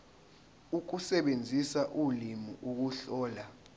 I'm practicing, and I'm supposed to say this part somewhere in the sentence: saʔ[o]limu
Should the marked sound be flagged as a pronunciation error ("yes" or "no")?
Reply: yes